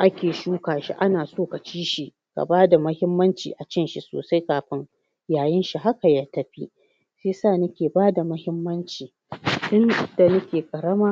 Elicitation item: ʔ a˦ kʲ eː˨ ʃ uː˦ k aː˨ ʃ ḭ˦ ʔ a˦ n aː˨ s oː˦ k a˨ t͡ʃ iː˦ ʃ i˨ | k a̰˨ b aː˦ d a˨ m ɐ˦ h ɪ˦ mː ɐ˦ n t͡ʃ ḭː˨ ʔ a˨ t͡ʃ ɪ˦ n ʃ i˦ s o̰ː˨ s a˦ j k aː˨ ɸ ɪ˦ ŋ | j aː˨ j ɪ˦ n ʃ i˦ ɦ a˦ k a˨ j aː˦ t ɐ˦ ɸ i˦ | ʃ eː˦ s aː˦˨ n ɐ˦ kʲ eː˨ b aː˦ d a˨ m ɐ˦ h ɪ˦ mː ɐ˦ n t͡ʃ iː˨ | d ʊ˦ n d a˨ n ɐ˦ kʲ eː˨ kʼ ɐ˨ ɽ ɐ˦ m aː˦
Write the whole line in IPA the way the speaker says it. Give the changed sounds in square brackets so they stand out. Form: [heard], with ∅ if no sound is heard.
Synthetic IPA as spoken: ʔ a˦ kʲ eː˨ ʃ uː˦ k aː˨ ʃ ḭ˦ ʔ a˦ n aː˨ s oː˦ k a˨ t͡ʃ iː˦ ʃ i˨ | k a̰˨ b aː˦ d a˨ m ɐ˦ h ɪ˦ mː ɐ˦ n t͡ʃ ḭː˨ ʔ a˨ t͡ʃ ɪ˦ n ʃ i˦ s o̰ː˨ s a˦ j k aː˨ ɸ ɪ˦ ŋ | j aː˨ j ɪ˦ n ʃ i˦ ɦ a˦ k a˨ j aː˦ t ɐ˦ ɸ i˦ | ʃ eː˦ s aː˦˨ n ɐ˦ kʲ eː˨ b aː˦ d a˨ m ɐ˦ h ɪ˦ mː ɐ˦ n t͡ʃ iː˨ | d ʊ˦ n d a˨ n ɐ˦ kʲ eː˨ kʼ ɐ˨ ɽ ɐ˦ m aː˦